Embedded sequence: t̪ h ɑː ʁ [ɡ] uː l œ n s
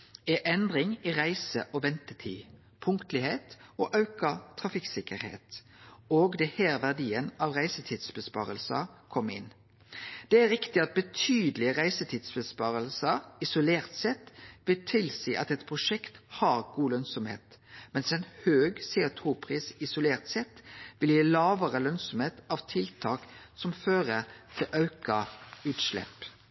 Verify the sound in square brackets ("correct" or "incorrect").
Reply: correct